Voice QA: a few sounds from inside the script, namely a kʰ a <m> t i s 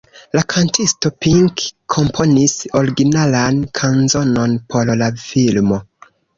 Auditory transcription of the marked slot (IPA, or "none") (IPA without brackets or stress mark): n